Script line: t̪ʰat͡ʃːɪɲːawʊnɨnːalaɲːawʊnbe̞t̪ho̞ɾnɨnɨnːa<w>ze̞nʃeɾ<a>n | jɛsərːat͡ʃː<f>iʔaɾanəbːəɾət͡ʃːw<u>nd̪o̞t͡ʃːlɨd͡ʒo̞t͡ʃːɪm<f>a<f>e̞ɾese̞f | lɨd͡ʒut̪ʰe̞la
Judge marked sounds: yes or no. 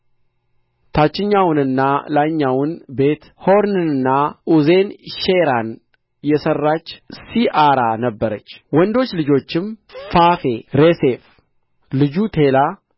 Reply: no, yes, no, no, yes, yes

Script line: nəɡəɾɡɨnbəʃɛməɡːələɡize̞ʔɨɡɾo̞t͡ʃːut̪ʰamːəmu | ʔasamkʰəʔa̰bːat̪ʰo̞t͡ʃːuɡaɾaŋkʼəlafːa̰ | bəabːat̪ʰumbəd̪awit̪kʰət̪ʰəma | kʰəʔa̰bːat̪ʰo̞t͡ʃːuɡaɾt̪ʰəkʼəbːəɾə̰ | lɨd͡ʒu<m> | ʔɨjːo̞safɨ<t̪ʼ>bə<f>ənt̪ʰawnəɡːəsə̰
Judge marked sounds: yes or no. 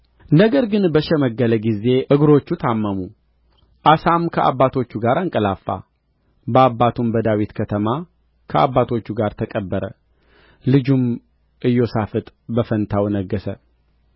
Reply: yes, yes, yes

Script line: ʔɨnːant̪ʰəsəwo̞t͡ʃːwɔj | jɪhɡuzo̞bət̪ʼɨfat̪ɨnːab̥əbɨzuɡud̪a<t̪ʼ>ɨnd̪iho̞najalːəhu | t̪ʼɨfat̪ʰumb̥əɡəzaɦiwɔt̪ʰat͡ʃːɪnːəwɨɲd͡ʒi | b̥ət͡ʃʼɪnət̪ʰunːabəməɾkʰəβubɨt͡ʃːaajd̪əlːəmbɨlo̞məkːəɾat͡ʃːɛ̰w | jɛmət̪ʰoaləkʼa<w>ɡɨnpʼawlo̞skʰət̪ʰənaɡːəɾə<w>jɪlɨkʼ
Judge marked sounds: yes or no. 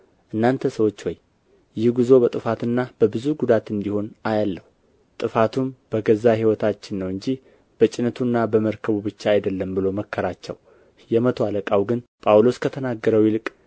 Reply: no, yes, yes

